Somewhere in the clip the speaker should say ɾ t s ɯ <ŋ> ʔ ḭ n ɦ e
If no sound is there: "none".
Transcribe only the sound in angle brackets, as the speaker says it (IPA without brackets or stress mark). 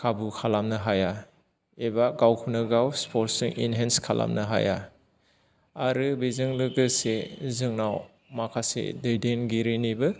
ŋ